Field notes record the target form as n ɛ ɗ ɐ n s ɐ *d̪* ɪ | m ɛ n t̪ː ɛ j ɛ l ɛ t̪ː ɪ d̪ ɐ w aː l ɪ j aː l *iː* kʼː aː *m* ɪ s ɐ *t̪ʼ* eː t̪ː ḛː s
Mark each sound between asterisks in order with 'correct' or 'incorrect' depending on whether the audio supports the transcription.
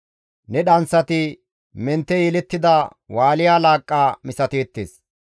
incorrect: t̪, incorrect: aː, correct, incorrect: t̪

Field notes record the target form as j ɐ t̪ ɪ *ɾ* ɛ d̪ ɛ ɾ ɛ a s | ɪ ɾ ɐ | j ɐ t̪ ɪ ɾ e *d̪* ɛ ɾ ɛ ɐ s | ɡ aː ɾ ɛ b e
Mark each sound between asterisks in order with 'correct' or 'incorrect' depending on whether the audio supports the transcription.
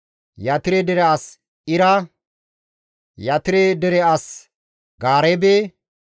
correct, correct

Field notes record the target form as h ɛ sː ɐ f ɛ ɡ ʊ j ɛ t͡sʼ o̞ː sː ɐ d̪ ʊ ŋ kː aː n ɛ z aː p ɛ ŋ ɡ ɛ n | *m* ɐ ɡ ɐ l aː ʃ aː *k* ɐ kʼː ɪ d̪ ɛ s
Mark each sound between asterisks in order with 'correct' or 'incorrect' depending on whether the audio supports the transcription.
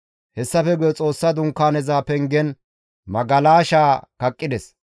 correct, correct

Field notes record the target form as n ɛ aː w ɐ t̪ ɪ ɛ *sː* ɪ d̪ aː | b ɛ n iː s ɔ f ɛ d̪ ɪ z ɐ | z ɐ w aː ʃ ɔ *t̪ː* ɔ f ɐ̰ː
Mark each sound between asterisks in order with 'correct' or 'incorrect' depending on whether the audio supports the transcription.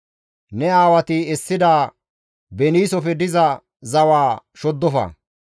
correct, incorrect: d̪ː

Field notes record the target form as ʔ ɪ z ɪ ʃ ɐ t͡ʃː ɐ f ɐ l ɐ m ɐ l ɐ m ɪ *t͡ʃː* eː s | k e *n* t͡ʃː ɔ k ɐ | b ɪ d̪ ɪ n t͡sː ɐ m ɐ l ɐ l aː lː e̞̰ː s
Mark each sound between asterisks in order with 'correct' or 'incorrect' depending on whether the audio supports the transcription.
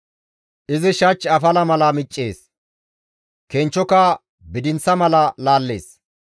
incorrect: t͡ʃʼː, correct

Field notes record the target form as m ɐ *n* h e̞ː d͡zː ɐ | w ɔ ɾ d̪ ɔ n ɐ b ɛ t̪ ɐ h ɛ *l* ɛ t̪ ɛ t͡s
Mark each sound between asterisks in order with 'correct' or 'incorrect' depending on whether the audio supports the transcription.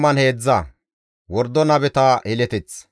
correct, correct

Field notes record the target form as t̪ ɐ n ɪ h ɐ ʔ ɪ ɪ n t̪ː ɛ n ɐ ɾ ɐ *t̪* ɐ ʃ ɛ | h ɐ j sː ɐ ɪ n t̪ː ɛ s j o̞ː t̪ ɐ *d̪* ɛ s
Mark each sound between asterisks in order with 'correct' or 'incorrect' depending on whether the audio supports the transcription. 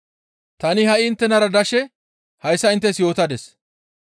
incorrect: d̪, correct

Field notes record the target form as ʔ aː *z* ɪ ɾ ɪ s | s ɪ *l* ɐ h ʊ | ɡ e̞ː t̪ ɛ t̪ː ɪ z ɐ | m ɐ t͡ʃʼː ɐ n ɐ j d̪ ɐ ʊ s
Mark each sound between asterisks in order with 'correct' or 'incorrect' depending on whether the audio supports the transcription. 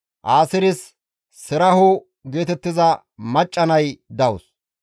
incorrect: s, incorrect: ɾ

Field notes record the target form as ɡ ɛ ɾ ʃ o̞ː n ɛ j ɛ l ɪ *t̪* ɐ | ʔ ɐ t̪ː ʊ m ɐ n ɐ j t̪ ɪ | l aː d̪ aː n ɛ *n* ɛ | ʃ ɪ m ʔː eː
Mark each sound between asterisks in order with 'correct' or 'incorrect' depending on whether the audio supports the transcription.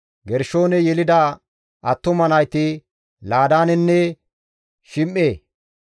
incorrect: d̪, incorrect: nː

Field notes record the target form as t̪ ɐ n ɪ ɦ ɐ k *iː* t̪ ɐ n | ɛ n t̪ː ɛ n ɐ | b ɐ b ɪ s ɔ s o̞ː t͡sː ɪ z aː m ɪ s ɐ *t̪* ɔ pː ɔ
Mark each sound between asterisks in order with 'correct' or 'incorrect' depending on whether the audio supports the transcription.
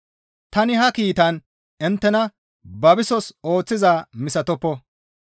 correct, correct

